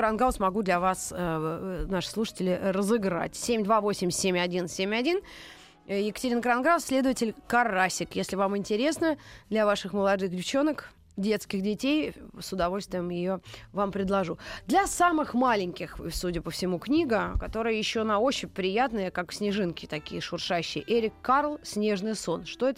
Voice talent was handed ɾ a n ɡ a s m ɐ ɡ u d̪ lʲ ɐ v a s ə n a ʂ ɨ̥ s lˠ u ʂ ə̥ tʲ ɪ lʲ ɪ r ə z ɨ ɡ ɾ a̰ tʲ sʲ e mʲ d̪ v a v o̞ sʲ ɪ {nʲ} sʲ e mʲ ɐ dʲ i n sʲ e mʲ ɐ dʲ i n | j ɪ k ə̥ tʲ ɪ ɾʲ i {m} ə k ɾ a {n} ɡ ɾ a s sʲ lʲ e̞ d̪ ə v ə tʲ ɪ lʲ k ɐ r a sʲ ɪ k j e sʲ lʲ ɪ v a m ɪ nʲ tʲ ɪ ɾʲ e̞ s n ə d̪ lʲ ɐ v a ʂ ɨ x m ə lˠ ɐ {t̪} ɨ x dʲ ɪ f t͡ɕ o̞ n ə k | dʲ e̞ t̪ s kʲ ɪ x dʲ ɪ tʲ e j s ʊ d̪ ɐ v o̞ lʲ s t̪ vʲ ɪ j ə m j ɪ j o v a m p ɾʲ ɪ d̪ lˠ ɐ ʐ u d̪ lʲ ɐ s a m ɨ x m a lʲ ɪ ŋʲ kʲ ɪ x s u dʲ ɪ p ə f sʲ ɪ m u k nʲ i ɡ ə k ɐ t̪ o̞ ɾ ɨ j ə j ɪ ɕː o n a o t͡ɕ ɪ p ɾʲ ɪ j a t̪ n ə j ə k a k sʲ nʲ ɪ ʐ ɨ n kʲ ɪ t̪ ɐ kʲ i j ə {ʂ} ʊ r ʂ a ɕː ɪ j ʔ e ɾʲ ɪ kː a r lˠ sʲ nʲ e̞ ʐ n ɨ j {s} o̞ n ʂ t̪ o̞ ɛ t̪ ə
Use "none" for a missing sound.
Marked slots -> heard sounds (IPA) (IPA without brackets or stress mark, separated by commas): mʲ, n, n, d̪, ʂ, s